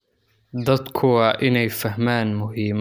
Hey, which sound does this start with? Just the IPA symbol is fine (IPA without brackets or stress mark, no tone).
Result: d̪